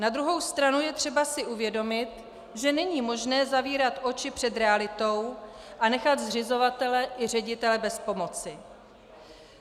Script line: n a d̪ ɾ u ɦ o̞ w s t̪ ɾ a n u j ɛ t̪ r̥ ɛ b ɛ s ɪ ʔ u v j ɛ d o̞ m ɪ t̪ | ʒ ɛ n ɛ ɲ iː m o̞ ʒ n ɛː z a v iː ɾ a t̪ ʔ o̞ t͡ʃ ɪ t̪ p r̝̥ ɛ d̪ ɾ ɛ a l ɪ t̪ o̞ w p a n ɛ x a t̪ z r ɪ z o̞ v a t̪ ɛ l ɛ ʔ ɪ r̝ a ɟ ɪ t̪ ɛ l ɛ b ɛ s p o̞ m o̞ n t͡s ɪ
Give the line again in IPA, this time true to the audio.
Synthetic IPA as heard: n a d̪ ɾ u ɦ o̞ w s t̪ ɾ a n u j ɛ t̪ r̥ ɛ b a s ɪ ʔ u v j ɛ d o̞ m ɪ t̪ | ʒ ɛ n ɛ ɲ iː m o̞ ʒ n ɛː z a v iː ɾ a t̪ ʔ o̞ t͡ʃ ɪ p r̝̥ ɛ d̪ ɾ ɛ a l ɪ t̪ o̞ w ʔ a n ɛ x a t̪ z r ɪ z o̞ v a t̪ ɛ l ɛ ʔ ɪ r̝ ɛ ɟ ɪ t̪ ɛ l ɛ b ɛ s p o̞ m o̞ t͡s ɪ